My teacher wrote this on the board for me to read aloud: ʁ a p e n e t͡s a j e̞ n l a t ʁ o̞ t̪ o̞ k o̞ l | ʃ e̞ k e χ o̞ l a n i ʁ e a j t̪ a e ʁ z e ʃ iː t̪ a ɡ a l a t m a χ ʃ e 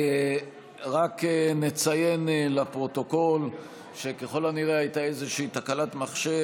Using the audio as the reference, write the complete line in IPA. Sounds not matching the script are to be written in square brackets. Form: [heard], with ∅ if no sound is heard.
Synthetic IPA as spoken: ʁ a [k] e n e t͡s a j e̞ n l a [p] ʁ o̞ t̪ o̞ k o̞ l | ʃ e̞ k e χ o̞ l a n i ʁ e a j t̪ a e [∅] z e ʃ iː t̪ a [k] a l a t m a χ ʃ e